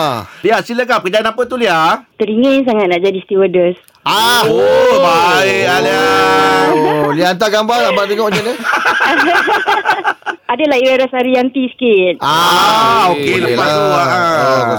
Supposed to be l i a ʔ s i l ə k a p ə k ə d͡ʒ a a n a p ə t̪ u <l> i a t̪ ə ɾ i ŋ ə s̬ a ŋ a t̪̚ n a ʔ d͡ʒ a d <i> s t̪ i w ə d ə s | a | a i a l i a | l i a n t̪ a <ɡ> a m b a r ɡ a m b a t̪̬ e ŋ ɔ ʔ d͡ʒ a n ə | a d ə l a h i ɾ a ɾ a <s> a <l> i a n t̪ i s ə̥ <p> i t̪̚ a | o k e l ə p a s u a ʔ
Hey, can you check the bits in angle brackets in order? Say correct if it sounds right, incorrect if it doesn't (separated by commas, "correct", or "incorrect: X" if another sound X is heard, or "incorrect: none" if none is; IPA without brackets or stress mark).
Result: correct, correct, correct, correct, incorrect: ɾ, incorrect: k